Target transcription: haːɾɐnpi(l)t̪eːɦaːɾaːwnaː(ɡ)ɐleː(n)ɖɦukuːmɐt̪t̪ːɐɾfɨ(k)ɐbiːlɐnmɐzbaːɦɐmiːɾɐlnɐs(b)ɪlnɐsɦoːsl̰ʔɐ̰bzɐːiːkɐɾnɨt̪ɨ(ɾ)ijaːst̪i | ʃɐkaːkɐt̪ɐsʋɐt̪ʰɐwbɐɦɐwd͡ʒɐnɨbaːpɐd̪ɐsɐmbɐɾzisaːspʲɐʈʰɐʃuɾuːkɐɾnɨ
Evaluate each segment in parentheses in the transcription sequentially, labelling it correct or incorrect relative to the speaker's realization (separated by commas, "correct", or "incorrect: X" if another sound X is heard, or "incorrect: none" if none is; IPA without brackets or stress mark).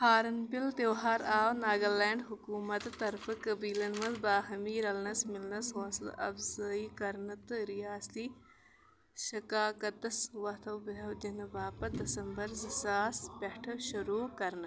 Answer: correct, correct, incorrect: ɳ, correct, incorrect: m, correct